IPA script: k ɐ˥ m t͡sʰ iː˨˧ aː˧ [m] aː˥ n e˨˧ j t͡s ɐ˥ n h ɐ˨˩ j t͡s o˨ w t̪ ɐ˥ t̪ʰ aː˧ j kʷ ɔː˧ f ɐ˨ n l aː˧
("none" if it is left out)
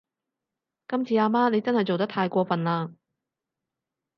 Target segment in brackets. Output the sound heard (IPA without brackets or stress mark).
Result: m